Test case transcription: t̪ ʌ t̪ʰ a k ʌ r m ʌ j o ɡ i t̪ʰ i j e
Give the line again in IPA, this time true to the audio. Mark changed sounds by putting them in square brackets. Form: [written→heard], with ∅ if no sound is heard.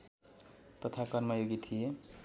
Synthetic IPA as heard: t̪ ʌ t̪ʰ a k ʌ r m ʌ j o ɡ i t̪ʰ i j e